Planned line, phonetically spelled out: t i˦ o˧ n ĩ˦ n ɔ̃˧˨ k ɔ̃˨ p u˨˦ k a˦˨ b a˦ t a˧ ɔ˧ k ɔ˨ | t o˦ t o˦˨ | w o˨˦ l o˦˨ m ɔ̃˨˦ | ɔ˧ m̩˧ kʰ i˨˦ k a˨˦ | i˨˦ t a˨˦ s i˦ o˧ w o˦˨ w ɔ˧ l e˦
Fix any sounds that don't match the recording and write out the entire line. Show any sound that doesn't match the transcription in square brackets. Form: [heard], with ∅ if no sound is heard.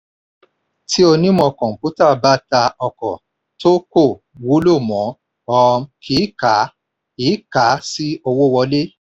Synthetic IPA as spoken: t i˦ o˧ n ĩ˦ [m] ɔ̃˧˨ k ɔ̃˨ p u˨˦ [t] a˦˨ b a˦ t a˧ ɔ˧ k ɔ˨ | t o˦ [k] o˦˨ | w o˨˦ l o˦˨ m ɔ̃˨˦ | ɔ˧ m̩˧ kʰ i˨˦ k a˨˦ | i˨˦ [k] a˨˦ s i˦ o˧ w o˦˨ w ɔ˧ l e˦